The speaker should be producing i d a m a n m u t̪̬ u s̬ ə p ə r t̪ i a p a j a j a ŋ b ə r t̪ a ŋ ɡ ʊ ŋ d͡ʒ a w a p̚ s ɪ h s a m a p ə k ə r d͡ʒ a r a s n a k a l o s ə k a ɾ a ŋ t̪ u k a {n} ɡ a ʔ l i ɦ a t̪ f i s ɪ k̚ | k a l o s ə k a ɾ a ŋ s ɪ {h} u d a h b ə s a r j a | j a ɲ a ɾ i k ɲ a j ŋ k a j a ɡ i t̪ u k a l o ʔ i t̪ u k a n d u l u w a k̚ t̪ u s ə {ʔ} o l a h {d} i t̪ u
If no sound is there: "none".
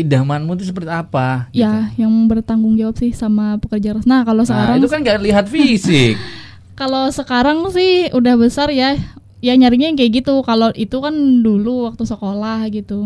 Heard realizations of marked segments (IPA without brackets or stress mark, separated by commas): n, h, k, ɡ